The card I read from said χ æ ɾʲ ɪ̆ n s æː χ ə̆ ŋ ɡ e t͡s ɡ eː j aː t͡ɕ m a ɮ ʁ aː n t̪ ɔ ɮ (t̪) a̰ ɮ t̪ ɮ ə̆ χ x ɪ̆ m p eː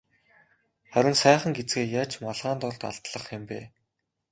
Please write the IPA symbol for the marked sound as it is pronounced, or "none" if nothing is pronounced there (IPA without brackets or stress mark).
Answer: t̪